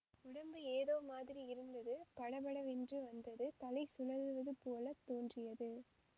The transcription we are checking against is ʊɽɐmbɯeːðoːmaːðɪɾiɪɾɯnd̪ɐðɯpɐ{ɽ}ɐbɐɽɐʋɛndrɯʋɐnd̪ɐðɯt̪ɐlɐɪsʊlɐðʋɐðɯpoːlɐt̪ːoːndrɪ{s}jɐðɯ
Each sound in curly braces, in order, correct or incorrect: correct, incorrect

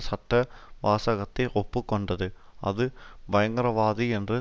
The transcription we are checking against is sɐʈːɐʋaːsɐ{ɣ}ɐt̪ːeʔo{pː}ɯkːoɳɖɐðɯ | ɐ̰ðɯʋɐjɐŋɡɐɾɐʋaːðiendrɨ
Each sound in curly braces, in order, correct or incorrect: correct, correct

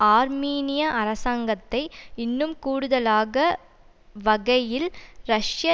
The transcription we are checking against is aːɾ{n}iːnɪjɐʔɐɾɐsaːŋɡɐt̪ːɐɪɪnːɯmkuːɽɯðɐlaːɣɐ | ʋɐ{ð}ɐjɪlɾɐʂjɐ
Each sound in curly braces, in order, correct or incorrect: incorrect, incorrect

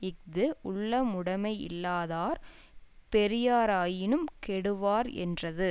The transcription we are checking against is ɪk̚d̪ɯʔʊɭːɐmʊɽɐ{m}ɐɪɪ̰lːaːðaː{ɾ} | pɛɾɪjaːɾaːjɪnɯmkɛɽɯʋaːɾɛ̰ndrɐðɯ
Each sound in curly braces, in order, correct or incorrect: correct, correct

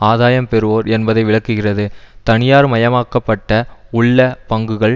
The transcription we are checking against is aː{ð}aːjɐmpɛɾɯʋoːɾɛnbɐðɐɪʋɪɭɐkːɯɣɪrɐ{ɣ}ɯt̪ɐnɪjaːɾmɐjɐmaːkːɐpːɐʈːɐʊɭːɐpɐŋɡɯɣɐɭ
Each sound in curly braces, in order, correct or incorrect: correct, incorrect

